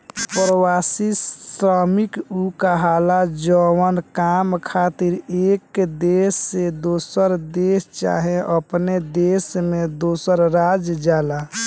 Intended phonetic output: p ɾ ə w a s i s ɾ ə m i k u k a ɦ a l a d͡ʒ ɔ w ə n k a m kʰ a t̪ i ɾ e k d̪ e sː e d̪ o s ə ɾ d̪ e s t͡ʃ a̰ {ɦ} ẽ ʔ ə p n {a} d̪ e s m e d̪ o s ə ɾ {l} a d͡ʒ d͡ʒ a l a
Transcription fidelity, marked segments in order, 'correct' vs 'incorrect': correct, incorrect: e, incorrect: ɾ

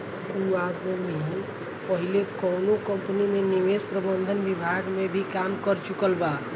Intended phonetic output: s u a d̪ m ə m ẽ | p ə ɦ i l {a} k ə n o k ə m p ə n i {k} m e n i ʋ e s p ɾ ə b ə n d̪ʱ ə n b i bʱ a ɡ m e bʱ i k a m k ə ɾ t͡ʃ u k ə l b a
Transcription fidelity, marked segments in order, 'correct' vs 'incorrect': incorrect: e, incorrect: none

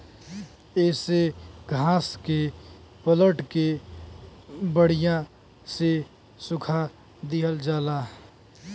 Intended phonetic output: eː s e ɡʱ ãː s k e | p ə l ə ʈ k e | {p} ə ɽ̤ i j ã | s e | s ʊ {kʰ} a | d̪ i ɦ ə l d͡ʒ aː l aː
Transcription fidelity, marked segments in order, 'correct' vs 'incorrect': incorrect: b, correct

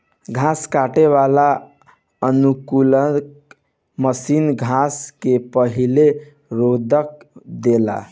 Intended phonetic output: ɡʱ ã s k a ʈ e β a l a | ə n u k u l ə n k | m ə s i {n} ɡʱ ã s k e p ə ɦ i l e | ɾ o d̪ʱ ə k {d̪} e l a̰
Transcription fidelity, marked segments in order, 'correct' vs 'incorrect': correct, correct

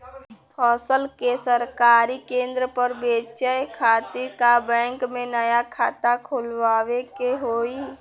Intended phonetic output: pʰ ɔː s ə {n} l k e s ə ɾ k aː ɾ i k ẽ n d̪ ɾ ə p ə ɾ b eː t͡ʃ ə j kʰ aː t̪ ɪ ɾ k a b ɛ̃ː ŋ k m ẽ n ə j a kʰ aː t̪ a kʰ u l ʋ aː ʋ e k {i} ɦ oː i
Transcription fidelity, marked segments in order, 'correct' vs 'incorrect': incorrect: none, incorrect: e

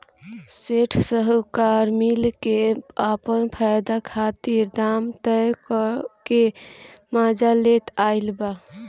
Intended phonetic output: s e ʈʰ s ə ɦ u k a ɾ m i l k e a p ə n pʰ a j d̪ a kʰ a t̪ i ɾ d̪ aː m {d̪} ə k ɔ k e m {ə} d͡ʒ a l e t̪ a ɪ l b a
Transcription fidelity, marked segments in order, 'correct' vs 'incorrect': incorrect: t̪, incorrect: a

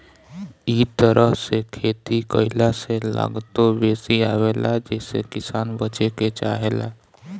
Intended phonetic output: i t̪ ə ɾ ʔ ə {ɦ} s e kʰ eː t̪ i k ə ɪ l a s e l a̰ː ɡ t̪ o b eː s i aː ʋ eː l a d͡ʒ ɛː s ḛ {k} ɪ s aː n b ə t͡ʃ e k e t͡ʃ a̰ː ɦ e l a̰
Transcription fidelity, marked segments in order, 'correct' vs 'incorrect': correct, correct

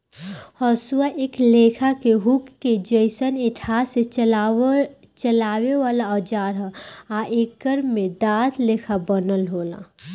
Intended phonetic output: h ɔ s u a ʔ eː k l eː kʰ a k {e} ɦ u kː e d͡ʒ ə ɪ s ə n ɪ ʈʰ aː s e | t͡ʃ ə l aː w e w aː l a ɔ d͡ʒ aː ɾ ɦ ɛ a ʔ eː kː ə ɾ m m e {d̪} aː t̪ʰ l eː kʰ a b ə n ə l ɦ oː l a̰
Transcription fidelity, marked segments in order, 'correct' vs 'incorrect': correct, correct

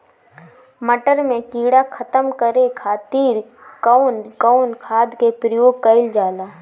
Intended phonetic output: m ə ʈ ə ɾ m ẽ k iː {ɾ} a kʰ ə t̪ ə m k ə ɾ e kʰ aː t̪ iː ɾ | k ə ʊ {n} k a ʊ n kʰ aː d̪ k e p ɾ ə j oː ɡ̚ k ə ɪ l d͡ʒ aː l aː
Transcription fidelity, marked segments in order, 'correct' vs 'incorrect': incorrect: ɽ, correct

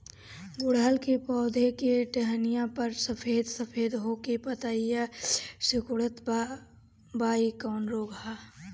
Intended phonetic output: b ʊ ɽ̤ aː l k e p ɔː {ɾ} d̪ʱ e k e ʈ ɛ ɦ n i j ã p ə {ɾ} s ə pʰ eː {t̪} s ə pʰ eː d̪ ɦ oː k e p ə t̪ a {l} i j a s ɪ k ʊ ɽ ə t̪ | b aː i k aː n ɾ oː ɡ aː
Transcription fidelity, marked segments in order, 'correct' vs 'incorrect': incorrect: none, correct, incorrect: d̪, incorrect: none

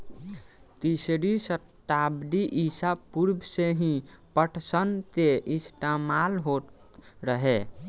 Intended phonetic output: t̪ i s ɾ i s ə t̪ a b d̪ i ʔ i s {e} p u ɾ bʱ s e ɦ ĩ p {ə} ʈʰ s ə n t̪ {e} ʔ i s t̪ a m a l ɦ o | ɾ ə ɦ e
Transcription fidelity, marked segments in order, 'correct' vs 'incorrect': incorrect: a, correct, correct

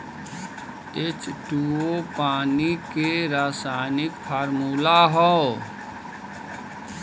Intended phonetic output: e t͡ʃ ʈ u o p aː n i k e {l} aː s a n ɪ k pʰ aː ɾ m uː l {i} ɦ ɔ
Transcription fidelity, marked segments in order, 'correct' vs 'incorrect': incorrect: ɾ, incorrect: a

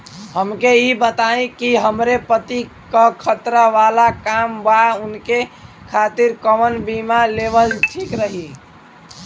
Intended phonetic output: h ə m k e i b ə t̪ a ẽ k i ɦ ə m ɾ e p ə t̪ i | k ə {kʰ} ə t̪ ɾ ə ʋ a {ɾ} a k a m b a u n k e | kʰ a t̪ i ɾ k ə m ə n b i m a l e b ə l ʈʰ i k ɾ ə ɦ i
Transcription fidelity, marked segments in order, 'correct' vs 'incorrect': correct, incorrect: l

